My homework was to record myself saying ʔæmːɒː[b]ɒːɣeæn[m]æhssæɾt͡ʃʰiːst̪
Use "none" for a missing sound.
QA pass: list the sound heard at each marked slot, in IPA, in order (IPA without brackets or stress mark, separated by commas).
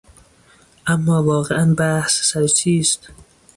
v, b